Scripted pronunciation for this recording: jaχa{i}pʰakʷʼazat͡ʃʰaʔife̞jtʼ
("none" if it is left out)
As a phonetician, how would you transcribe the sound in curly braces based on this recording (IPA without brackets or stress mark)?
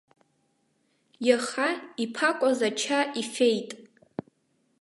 i